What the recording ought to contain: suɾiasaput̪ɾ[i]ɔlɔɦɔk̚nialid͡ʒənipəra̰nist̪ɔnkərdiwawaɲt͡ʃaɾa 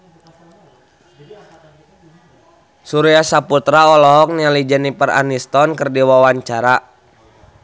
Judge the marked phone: incorrect: a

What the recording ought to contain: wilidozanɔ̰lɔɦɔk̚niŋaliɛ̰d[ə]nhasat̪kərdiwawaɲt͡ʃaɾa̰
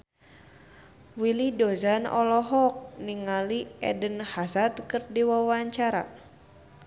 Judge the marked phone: correct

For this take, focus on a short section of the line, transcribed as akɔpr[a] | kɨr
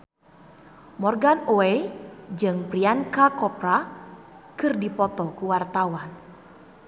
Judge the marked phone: correct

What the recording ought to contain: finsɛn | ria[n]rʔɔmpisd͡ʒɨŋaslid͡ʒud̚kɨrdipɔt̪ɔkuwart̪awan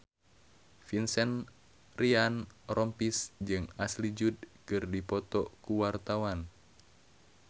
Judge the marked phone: correct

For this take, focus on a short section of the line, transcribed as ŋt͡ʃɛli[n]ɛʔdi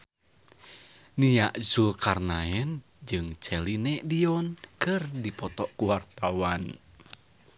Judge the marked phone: correct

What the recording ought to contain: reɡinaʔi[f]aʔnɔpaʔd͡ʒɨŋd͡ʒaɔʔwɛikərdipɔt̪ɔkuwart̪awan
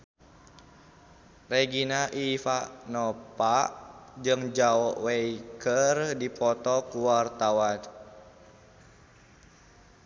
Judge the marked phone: correct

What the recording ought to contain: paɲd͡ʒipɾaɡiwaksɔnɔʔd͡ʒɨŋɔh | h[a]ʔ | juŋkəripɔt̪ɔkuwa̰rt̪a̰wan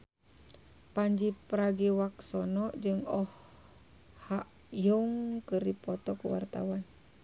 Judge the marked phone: correct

